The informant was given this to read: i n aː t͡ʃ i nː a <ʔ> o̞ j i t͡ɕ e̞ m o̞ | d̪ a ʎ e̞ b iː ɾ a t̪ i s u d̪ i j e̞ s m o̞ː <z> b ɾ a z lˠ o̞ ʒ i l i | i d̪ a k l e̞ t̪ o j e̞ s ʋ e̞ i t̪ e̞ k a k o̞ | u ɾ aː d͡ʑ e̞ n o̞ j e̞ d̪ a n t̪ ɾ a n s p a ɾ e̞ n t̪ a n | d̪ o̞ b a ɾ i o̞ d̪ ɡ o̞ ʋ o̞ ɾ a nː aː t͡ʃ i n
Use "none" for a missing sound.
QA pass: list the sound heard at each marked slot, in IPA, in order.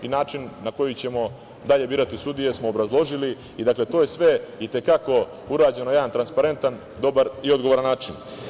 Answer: k, none

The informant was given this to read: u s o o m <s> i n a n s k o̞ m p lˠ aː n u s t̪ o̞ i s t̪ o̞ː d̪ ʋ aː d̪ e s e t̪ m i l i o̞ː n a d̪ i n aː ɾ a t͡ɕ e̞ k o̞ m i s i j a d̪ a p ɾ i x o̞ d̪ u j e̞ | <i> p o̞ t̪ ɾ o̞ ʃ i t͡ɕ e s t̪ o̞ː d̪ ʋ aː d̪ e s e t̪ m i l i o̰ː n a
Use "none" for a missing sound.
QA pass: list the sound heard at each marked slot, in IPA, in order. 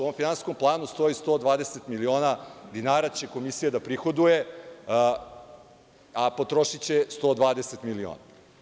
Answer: f, a

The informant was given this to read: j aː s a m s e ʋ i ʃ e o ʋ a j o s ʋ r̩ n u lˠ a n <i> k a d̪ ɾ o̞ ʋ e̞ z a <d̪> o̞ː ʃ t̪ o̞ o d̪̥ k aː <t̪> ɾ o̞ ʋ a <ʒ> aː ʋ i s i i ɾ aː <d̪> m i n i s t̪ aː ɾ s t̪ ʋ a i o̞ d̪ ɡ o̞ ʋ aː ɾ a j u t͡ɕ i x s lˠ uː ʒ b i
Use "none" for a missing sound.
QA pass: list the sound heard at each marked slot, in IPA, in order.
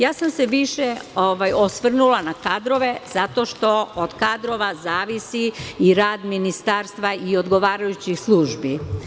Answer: a, t̪, d̪, z, d̪

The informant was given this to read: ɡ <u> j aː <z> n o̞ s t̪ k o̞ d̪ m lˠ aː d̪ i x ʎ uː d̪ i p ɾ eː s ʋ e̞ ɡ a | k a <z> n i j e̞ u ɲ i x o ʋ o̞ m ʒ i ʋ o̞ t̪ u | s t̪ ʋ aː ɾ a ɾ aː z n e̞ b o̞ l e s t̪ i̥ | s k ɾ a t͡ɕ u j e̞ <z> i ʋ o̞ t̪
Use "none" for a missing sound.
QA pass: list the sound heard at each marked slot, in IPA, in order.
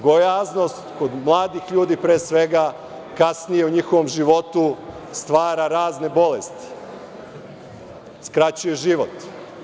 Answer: o, z, s, ʒ

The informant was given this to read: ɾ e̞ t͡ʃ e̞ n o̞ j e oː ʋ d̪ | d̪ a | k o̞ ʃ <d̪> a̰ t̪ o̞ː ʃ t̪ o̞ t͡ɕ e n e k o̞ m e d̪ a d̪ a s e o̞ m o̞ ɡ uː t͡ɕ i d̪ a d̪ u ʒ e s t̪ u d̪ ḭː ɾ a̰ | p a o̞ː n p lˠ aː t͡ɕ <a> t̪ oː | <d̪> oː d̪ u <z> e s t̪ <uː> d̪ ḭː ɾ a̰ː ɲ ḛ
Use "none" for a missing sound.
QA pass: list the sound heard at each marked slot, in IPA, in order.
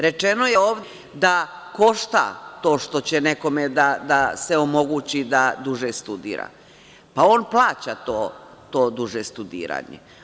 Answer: t̪, a, t̪, ʒ, u

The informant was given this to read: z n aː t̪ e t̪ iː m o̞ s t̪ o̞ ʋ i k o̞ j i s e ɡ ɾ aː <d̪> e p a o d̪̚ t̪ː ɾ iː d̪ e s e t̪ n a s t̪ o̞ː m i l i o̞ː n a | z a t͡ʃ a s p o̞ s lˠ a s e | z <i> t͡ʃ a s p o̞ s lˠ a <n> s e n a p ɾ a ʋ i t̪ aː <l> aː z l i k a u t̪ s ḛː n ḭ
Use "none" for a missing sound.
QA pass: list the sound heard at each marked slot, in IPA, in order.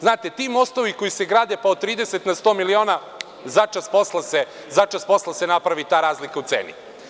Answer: d̪, a, none, ɾ

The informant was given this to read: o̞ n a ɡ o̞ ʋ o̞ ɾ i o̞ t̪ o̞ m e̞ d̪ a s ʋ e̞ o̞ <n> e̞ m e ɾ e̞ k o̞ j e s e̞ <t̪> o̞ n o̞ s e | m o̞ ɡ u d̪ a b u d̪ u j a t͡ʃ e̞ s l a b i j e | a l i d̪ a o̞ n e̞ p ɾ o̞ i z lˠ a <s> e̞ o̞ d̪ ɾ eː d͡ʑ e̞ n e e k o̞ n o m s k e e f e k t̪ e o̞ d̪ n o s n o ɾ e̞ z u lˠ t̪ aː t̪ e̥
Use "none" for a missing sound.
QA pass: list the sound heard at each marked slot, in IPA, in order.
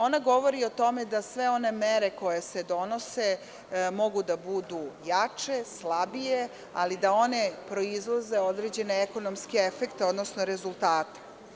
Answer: n, d̪, z

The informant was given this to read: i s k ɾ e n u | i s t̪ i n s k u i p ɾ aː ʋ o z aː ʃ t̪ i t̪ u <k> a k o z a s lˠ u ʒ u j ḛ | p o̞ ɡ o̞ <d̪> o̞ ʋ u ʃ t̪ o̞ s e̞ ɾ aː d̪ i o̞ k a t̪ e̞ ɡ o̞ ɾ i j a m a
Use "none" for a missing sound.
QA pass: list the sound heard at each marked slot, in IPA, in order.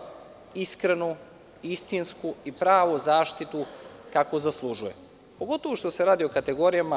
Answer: k, t̪

